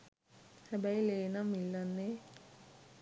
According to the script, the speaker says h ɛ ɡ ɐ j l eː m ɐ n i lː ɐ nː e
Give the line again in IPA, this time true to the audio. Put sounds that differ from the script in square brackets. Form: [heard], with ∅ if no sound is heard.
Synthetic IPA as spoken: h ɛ [b] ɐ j l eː [n] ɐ [m] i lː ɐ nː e